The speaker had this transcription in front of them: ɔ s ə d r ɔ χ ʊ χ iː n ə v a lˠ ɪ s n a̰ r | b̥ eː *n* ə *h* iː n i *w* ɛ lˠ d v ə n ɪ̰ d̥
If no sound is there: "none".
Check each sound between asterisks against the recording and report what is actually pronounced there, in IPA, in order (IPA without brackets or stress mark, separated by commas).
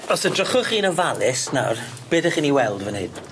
d, χ, w